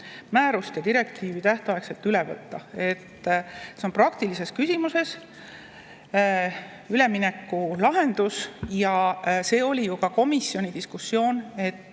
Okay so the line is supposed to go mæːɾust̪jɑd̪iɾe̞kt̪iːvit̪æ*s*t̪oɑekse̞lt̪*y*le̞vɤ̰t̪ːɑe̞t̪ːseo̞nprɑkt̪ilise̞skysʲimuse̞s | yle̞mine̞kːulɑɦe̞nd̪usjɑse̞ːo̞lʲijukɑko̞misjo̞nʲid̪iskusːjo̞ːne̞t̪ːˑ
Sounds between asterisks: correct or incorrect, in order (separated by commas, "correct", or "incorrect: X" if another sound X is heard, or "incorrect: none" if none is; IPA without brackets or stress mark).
incorrect: h, correct